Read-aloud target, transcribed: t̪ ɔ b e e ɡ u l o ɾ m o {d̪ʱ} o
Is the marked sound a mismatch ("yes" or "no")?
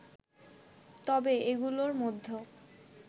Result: yes